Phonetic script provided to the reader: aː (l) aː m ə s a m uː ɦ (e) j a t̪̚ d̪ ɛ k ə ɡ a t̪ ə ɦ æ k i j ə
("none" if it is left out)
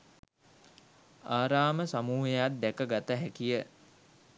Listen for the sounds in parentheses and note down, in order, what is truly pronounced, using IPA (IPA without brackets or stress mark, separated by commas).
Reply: ɾ, e